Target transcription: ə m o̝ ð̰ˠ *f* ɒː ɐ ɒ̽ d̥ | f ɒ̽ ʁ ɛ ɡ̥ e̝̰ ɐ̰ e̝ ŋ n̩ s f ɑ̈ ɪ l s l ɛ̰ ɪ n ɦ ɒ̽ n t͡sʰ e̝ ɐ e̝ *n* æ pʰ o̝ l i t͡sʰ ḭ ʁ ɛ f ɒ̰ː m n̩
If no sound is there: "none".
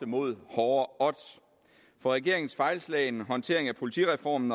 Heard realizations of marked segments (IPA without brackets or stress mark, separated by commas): h, ŋ